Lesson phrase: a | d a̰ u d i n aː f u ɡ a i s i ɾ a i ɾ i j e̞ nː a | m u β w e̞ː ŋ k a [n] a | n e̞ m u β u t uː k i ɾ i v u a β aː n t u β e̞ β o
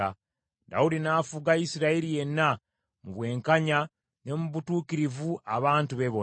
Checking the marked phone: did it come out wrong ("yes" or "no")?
yes